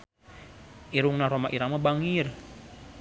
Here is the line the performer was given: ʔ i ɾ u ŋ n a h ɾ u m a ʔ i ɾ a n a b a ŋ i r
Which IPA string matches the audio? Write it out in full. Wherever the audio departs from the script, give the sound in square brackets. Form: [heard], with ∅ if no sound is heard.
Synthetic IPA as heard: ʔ i ɾ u ŋ n a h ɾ [o] m a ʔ i ɾ a [m] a b a ŋ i r